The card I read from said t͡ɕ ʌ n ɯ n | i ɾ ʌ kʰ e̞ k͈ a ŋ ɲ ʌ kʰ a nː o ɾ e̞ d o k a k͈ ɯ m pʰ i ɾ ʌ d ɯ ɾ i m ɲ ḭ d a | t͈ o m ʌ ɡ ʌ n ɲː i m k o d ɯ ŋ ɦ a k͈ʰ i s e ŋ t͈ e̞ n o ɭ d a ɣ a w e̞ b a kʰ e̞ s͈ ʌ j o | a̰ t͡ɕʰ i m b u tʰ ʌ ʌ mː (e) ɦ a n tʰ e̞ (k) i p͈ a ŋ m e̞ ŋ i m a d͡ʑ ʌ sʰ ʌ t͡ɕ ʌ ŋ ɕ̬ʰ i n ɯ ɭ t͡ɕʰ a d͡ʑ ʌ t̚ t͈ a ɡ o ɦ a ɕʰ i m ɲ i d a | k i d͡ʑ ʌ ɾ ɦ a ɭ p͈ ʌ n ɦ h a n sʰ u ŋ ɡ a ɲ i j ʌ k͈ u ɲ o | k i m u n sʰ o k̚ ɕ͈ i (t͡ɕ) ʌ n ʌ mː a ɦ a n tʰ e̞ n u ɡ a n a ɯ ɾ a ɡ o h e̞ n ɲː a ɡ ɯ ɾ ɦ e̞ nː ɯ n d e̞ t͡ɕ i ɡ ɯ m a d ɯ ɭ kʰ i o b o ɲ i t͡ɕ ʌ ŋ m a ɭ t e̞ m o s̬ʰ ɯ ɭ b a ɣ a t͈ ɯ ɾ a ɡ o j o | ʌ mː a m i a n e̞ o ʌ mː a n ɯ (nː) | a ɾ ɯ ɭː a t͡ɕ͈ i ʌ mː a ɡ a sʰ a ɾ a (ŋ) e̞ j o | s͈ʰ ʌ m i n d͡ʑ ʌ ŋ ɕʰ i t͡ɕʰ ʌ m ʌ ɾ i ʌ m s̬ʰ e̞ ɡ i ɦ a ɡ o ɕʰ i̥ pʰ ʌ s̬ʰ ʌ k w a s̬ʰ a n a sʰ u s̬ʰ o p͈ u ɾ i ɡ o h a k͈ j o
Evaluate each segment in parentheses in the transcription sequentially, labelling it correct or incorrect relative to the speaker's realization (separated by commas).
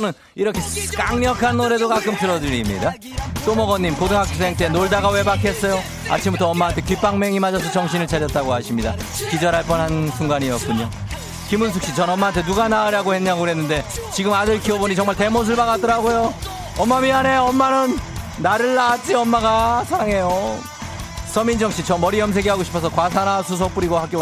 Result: incorrect, correct, correct, correct, correct